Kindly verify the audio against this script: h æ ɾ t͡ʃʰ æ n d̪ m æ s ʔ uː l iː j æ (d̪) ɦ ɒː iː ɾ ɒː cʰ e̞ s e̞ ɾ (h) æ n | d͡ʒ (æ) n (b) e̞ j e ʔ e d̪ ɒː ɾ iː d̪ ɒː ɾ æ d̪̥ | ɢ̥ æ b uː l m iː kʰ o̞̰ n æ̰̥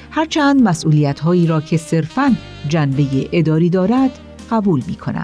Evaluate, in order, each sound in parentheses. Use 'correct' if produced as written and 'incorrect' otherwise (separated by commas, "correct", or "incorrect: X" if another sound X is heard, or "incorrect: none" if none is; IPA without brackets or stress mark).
incorrect: t̪, incorrect: f, correct, correct